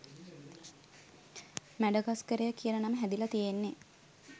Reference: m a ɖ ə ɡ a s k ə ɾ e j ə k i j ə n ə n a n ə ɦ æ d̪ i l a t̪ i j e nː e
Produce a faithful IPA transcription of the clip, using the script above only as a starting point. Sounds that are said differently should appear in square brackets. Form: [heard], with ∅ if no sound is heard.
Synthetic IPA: m [æ] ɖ ə ɡ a s k ə ɾ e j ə k i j ə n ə n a [m] ə ɦ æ d̪ i l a t̪ i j e nː e